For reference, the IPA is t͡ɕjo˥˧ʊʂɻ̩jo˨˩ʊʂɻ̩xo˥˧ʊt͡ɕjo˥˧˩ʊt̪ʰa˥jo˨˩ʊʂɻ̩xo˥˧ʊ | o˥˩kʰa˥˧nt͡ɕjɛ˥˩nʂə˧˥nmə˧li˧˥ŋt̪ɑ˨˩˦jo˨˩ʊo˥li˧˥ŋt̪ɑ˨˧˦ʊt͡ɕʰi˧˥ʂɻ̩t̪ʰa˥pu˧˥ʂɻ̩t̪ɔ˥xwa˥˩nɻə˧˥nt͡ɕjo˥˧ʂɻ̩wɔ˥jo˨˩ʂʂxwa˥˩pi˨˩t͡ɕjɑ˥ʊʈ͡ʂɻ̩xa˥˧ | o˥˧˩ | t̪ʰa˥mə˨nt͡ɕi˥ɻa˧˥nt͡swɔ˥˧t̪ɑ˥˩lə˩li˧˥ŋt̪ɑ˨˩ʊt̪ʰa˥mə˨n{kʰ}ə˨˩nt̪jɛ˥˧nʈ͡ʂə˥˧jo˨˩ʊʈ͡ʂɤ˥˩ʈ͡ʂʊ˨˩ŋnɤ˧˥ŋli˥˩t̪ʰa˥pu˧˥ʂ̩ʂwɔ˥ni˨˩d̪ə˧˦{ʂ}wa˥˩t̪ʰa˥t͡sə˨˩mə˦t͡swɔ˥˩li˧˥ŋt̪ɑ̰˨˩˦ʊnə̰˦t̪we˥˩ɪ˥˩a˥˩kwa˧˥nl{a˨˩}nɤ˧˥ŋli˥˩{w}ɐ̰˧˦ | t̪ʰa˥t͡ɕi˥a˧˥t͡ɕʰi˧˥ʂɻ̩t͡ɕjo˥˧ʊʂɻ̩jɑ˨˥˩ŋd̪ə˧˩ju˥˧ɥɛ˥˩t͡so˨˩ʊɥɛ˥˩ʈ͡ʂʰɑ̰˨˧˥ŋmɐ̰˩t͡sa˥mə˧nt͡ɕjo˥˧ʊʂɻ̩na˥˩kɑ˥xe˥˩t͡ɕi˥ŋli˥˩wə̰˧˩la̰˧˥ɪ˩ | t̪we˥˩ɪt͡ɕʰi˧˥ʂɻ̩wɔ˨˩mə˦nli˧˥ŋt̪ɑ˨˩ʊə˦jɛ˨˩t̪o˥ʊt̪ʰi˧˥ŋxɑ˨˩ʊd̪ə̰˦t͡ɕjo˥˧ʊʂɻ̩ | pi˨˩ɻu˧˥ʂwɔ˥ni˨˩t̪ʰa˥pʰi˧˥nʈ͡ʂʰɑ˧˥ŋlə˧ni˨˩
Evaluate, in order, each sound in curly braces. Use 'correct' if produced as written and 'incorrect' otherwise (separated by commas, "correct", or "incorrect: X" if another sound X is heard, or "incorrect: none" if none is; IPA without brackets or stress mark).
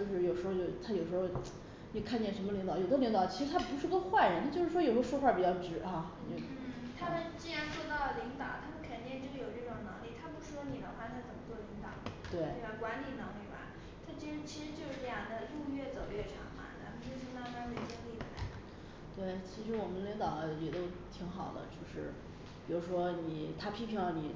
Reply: correct, incorrect: x, incorrect: i˨˩, incorrect: b